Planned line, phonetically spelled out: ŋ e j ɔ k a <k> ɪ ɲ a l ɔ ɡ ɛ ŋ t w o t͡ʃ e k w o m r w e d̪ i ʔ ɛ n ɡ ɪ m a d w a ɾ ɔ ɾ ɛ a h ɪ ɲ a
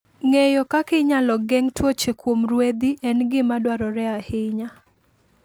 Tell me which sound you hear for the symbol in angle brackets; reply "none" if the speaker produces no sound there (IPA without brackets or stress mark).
k